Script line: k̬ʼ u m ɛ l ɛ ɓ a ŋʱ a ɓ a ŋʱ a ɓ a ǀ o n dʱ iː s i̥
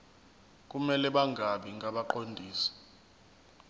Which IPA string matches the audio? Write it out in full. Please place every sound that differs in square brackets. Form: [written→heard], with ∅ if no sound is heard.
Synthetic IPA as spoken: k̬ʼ u m ɛ l ɛ ɓ a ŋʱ a ɓ [a→i] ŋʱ a ɓ a [ǀ→ǃ] o n dʱ iː s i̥